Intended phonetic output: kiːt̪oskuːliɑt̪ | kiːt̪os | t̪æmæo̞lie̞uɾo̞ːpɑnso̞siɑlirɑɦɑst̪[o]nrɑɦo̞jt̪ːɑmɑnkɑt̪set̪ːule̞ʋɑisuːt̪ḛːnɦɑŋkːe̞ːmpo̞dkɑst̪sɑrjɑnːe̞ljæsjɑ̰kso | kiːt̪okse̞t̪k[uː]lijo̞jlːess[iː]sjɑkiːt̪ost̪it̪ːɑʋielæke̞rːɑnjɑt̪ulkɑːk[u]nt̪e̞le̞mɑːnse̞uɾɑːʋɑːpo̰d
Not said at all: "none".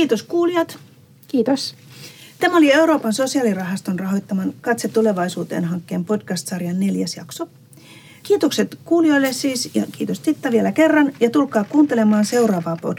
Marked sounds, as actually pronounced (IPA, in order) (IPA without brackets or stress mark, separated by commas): o, uː, iː, uː